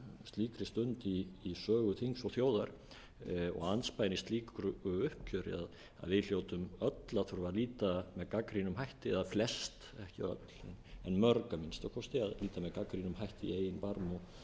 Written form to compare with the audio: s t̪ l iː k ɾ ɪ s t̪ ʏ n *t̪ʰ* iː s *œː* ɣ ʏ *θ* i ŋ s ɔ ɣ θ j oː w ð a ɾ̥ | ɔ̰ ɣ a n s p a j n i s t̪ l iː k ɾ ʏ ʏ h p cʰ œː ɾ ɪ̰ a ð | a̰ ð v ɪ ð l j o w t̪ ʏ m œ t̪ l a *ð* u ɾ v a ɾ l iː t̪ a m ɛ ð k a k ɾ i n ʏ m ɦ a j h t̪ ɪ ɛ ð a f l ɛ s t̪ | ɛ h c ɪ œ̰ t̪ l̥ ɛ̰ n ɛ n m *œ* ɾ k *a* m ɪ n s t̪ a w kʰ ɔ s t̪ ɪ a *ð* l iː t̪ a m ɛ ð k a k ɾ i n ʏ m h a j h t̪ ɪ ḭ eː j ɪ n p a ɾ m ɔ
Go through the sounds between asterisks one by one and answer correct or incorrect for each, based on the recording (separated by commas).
incorrect, correct, correct, incorrect, correct, correct, correct